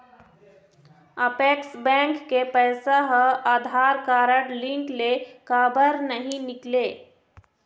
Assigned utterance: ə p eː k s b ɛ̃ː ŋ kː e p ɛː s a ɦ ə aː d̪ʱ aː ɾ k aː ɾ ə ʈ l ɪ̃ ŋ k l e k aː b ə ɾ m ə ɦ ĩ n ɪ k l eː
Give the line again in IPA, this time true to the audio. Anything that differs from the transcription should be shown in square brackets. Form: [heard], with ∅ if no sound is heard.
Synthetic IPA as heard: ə p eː k s b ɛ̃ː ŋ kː e p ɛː s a ɦ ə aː d̪ʱ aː ɾ k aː ɾ ə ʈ l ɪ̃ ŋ k l e k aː b ə ɾ [n] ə ɦ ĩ n ɪ k l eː